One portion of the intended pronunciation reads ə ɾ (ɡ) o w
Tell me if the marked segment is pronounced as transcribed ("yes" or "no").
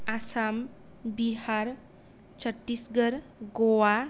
yes